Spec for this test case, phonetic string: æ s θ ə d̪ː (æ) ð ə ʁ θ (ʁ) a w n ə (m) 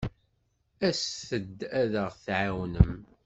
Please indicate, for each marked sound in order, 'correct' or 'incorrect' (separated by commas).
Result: correct, incorrect, correct